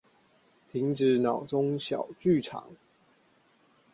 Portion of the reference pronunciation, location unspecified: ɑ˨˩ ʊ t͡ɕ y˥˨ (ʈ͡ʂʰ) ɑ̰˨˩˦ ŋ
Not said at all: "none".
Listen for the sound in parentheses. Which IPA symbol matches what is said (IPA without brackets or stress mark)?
ʈ͡ʂʰ